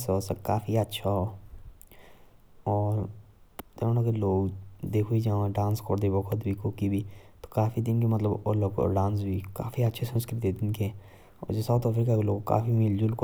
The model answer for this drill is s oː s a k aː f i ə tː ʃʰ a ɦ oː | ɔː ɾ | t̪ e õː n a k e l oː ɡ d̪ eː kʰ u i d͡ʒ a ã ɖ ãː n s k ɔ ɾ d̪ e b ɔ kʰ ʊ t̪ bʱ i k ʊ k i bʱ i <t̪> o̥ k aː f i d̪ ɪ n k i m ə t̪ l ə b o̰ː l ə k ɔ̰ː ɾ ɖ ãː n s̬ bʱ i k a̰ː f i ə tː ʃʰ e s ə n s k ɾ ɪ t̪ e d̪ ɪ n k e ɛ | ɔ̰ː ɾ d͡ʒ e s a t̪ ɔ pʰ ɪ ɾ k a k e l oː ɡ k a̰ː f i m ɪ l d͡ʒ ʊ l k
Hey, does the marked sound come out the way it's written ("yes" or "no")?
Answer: yes